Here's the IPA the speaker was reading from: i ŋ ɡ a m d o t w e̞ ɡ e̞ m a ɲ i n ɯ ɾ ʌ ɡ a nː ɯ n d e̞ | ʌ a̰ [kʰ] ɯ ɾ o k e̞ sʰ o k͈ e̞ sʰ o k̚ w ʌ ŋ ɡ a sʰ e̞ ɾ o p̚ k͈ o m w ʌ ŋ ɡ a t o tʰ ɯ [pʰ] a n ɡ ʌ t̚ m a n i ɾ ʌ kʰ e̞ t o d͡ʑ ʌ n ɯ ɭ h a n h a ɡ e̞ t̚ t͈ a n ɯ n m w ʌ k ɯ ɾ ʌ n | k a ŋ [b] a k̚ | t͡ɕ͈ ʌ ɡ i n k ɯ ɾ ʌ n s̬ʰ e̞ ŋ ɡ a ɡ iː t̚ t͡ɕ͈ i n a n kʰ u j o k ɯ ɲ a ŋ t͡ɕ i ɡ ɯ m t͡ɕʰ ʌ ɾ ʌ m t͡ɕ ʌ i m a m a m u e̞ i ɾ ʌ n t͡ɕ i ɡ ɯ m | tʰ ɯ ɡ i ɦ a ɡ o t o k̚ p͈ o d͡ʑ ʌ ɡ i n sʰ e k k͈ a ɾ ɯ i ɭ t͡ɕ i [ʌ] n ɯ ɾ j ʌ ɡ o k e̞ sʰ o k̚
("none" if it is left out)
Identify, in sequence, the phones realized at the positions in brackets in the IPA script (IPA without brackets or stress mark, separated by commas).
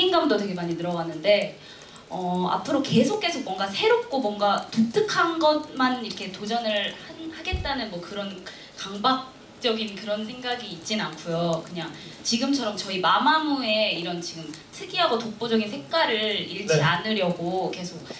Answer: pʰ, kʰ, b, a